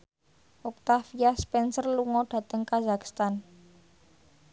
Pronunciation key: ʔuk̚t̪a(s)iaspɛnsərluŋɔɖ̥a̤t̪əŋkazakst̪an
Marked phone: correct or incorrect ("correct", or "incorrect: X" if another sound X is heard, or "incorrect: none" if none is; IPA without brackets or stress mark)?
incorrect: f